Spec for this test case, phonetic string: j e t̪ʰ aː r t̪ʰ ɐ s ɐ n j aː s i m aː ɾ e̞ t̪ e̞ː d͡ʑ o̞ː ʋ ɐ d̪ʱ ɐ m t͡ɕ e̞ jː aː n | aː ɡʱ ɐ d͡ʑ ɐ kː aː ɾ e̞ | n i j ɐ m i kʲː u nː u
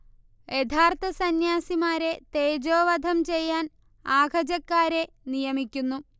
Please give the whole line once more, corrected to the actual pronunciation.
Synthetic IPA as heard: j e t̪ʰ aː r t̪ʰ ɐ s ɐ n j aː s i m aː ɾ e̞ t̪ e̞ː d͡ʑ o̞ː ʋ ɐ d̪ʱ ɐ m t͡ɕ e̞ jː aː n | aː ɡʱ ɐ d͡ʑ ɐ kː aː ɾ e̞ | n i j ɐ m i kʲː u nː u